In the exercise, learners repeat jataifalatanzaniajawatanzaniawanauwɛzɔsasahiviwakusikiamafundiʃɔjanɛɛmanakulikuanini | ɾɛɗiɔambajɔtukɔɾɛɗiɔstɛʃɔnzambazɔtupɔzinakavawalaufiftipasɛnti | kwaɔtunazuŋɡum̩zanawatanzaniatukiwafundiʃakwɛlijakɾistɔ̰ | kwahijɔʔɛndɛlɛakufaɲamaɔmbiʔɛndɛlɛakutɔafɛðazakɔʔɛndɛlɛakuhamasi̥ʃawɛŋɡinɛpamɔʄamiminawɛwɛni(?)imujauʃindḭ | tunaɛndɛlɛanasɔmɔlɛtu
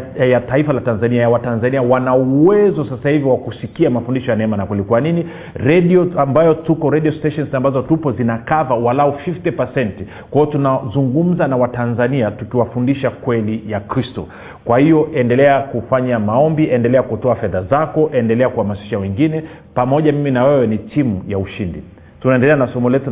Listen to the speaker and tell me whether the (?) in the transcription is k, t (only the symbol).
t